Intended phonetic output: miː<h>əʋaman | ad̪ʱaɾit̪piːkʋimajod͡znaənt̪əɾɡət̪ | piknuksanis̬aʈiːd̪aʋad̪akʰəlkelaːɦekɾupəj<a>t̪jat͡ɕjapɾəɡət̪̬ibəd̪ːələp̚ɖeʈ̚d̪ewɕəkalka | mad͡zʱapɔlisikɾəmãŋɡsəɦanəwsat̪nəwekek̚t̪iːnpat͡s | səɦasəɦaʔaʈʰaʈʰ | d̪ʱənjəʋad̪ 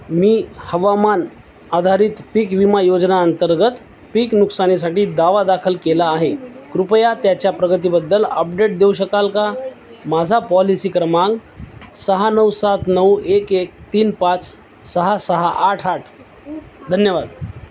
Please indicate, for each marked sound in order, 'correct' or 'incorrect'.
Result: correct, correct

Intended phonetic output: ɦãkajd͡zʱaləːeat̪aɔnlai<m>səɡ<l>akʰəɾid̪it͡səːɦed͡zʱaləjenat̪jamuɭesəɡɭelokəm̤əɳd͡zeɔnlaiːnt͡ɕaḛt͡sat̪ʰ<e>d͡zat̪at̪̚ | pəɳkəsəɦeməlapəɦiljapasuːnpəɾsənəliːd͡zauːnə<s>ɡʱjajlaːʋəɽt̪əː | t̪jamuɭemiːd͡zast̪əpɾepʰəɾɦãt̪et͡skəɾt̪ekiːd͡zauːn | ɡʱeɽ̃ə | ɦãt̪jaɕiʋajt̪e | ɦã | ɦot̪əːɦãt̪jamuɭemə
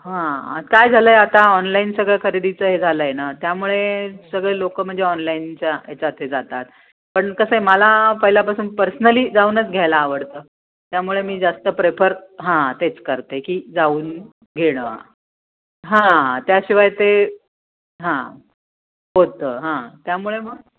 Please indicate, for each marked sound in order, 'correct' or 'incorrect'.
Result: incorrect, incorrect, correct, incorrect

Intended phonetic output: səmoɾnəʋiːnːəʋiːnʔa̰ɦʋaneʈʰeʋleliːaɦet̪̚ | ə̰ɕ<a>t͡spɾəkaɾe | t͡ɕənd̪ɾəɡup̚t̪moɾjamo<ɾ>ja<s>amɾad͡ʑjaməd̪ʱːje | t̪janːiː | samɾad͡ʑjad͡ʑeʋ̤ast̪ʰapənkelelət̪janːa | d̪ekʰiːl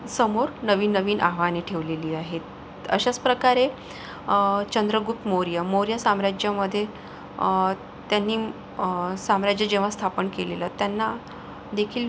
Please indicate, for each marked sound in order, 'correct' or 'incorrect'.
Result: correct, correct, correct

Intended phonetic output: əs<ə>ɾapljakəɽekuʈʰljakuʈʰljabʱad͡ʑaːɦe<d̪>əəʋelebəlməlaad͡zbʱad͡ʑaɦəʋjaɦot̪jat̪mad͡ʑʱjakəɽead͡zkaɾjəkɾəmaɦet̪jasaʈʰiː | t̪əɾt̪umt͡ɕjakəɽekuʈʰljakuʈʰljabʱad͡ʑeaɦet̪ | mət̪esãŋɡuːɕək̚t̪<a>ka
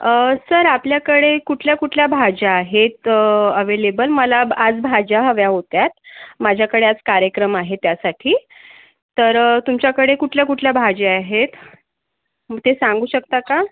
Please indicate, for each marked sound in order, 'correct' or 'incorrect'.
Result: correct, incorrect, correct

